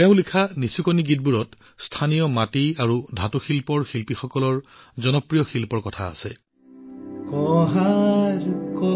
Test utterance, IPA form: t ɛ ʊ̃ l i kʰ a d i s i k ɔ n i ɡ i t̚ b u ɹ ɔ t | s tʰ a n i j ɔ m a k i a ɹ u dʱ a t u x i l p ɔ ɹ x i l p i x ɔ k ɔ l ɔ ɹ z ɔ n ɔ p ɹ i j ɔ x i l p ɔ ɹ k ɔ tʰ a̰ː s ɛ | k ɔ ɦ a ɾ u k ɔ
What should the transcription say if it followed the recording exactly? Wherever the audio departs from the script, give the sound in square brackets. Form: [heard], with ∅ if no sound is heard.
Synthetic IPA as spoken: t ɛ ʊ̃ l i kʰ a [n] i s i k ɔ n i ɡ i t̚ b u ɹ ɔ t | s tʰ a n i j ɔ m a [t] i a ɹ u dʱ a t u x i l p ɔ ɹ x i l p i x ɔ k ɔ l ɔ ɹ z ɔ n ɔ p ɹ i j ɔ x i l p ɔ ɹ k ɔ tʰ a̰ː s ɛ | k ɔ ɦ a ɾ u k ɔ

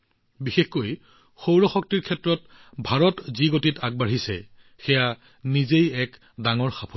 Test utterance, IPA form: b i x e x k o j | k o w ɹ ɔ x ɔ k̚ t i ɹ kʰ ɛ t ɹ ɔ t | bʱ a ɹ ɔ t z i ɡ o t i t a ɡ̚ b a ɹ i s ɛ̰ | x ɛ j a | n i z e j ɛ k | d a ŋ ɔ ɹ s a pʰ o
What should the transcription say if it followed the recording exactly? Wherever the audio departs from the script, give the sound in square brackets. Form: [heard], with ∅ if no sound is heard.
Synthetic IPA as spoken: b i x e x k o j | [x] o w ɹ ɔ x ɔ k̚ t i ɹ kʰ ɛ t ɹ ɔ t | bʱ a ɹ ɔ t z i ɡ o t i t a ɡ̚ b a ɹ i s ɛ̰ | x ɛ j a | n i z e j ɛ k | d a ŋ ɔ ɹ [x] a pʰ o

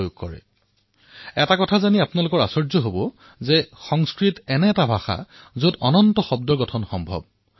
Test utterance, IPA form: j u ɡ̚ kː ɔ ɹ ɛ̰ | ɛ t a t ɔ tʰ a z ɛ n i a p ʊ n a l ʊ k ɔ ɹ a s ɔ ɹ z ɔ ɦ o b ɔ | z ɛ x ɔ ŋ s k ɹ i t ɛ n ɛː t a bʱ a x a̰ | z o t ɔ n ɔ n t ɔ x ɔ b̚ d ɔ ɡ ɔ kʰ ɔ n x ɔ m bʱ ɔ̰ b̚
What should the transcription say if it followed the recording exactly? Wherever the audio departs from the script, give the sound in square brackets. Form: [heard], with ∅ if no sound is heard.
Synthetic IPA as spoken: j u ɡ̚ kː ɔ ɹ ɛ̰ | ɛ t a [k] ɔ tʰ a z [a] n i a p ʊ n a l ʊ k ɔ ɹ a s ɔ ɹ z ɔ ɦ o b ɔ | z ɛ x ɔ ŋ s k ɹ i t ɛ n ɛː t a bʱ a x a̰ | z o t ɔ n ɔ n t ɔ x ɔ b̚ d ɔ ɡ ɔ [tʰ] ɔ n x ɔ m bʱ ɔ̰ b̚

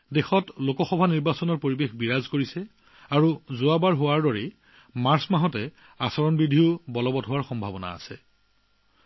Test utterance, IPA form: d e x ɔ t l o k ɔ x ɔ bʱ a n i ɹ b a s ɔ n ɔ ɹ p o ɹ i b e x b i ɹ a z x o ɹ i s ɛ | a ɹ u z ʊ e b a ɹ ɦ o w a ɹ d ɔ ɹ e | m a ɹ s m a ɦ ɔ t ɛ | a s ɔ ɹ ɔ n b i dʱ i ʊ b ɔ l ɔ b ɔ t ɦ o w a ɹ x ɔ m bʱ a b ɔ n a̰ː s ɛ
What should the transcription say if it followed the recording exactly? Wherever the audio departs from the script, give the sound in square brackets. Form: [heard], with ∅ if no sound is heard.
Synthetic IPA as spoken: d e x ɔ t l o k ɔ x ɔ bʱ a n i ɹ b a s ɔ n ɔ ɹ p o ɹ i b e x b i ɹ a z [k] o ɹ i s ɛ | a ɹ u z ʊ [a] b a ɹ ɦ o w a ɹ d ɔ ɹ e | m a ɹ s m a ɦ ɔ t ɛ | a s ɔ ɹ ɔ n b i dʱ i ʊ b ɔ l ɔ b ɔ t ɦ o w a ɹ x ɔ m bʱ a b ɔ n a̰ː s ɛ

